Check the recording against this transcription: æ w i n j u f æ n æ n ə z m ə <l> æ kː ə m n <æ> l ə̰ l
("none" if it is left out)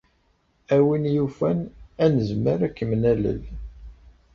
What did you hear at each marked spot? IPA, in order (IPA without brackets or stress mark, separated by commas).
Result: ɾ, æ